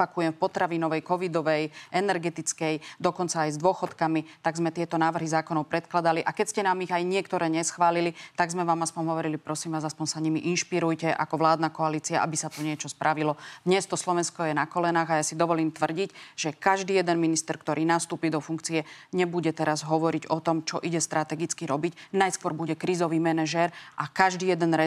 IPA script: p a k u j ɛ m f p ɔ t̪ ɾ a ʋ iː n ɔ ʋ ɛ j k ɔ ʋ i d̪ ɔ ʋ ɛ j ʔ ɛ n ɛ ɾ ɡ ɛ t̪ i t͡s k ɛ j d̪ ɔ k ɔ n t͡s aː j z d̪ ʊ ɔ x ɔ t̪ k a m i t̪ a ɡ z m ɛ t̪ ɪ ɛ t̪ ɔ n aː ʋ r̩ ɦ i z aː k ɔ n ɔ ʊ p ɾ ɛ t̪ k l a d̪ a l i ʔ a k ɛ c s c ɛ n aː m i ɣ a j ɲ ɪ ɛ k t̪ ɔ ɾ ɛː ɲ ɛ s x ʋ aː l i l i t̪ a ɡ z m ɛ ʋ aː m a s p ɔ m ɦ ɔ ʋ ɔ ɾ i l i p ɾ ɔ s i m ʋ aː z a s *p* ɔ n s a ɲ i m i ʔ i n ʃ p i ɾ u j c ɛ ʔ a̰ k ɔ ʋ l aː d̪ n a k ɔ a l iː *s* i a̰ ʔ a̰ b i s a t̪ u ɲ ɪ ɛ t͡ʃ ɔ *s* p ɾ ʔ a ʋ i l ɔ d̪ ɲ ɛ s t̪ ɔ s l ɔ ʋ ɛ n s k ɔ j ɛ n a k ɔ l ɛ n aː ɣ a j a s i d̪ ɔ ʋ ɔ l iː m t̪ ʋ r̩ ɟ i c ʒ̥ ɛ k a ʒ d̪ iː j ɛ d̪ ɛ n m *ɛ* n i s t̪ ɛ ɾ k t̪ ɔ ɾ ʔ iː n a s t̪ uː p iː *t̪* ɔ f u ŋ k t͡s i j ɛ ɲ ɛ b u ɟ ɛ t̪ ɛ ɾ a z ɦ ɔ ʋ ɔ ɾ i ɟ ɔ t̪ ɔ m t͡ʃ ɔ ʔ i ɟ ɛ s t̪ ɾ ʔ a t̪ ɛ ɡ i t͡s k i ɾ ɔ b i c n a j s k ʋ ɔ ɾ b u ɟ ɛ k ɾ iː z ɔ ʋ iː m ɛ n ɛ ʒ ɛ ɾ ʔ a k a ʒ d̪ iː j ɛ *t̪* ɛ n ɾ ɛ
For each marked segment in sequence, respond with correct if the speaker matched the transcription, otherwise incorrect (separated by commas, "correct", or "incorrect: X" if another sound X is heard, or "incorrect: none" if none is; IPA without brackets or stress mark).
correct, incorrect: t͡s, correct, incorrect: i, incorrect: d̪, incorrect: d̪